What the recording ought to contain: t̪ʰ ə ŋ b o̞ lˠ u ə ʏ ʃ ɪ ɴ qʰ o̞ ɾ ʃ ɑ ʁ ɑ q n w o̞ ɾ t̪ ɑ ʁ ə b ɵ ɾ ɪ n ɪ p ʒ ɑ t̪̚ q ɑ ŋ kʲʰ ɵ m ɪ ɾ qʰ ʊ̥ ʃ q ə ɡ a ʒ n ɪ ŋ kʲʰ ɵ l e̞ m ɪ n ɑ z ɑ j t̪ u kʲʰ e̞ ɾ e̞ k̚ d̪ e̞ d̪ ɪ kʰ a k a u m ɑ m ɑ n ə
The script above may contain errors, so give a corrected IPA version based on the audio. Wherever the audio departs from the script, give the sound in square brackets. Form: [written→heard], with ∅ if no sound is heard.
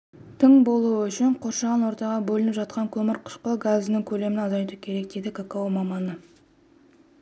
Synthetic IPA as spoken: t̪ʰ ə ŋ b o̞ lˠ u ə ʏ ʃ ɪ ɴ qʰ o̞ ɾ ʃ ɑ ʁ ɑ [q→∅] n w o̞ ɾ t̪ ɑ ʁ [ə→ɑ] b ɵ [ɾ→l] ɪ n ɪ p ʒ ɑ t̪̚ q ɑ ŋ kʲʰ ɵ m ɪ ɾ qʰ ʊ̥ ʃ q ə ɡ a [ʒ→z] n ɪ ŋ kʲʰ ɵ l e̞ m ɪ n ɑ z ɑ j t̪ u kʲʰ e̞ ɾ e̞ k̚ d̪ e̞ d̪ ɪ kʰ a k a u m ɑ m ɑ n ə